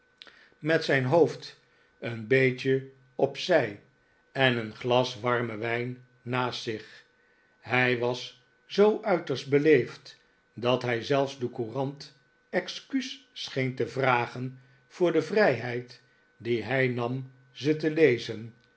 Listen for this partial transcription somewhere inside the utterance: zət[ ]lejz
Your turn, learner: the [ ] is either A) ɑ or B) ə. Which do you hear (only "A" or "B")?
B